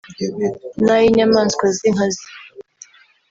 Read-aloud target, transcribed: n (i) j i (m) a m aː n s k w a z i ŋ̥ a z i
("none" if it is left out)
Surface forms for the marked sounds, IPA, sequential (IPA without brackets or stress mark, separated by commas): a, ɲ